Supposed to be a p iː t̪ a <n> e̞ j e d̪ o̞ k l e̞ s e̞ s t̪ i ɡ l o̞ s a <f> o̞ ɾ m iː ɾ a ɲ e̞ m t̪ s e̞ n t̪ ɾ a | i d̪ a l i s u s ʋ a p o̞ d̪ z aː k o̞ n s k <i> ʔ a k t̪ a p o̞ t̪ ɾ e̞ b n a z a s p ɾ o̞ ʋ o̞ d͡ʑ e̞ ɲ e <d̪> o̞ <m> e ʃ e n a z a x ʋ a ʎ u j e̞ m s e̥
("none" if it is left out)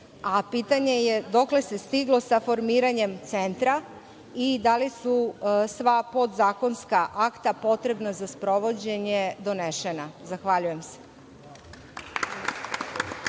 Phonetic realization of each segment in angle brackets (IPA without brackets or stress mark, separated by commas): ɲ, f, a, d̪, n